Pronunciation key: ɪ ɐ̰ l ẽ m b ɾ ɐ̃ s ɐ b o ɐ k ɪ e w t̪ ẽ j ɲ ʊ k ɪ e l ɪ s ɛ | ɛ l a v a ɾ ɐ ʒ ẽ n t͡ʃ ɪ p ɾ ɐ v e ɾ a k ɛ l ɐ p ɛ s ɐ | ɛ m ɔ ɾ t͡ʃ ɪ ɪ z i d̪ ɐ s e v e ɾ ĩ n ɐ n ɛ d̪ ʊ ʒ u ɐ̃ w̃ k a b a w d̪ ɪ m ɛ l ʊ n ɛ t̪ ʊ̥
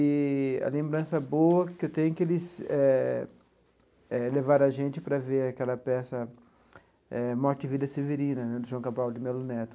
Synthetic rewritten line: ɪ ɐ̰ l ẽ m b ɾ ɐ̃ s ɐ b o ɐ k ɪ e w t̪ ẽ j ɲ ʊ k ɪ e l ɪ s ɛ | ɛ l e v a ɾ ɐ ʒ ẽ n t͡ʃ ɪ p ɾ ɐ v e ɾ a k ɛ l ɐ p ɛ s ɐ | ɛ m ɔ ɾ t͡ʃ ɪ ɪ v i d̪ ɐ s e v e ɾ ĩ n ɐ n ɛ d̪ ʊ ʒ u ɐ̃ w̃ k a b a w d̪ ɪ m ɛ l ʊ n ɛ t̪ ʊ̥